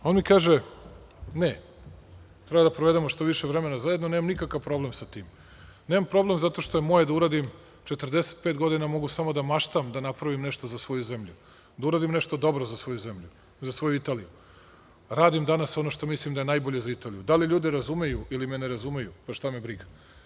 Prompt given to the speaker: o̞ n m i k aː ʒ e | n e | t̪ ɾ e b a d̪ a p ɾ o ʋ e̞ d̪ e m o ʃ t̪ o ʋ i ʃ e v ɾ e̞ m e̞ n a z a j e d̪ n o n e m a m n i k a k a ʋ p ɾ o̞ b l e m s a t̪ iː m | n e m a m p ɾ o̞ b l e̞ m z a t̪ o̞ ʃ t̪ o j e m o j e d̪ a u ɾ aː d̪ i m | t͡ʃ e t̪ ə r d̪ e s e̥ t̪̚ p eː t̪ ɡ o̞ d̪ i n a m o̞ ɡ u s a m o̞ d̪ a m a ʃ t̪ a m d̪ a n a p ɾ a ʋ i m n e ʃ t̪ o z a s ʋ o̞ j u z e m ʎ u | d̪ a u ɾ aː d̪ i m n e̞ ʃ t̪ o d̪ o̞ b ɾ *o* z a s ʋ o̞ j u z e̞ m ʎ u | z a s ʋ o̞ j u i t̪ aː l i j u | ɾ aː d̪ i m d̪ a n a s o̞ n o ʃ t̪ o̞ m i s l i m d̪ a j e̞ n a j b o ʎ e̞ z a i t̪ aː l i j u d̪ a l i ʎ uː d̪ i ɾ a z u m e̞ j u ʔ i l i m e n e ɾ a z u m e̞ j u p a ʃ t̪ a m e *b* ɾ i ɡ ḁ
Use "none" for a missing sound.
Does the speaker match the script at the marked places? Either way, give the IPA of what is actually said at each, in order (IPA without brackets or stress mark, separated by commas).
o, b